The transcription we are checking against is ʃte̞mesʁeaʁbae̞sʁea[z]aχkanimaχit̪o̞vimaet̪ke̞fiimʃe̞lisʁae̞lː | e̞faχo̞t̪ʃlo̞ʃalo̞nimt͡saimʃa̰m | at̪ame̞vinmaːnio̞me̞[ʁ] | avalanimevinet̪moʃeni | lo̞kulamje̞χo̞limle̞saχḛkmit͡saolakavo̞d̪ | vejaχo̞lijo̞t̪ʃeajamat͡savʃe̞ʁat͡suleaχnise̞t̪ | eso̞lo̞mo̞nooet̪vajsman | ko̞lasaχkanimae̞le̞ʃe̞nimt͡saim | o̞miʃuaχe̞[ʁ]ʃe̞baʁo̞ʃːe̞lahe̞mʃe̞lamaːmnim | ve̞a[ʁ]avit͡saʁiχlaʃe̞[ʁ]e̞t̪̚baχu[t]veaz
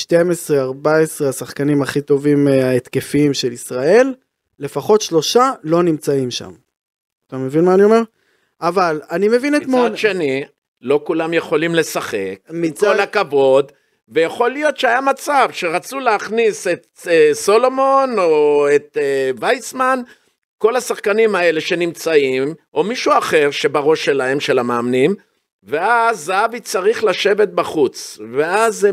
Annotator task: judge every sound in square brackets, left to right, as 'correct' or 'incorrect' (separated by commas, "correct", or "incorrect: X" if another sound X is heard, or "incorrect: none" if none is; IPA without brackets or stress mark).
incorrect: s, correct, correct, incorrect: z, incorrect: v, incorrect: t͡s